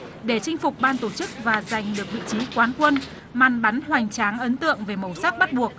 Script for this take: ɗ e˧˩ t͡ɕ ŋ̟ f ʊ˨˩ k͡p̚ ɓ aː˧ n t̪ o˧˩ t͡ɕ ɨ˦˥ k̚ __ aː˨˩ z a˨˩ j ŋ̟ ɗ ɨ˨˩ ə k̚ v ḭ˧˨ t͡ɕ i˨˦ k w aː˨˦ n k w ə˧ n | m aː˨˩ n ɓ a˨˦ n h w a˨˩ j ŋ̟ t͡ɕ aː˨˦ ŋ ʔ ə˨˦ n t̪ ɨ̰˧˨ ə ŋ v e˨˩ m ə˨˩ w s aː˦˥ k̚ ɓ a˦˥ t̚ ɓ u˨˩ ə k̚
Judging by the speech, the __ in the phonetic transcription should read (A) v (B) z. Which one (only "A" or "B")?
A